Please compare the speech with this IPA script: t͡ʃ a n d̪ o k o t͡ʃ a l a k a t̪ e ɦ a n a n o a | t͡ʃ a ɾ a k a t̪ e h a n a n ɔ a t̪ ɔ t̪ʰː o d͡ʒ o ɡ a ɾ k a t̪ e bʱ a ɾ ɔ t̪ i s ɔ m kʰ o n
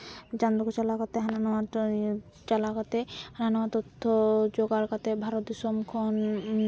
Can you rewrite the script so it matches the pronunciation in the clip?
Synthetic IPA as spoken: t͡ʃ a n d̪ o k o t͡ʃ a l a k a t̪ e ɦ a n a n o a | t͡ʃ a l a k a t̪ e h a n a n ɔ a t̪ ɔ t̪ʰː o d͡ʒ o ɡ a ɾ k a t̪ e bʱ a ɾ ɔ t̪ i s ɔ m kʰ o n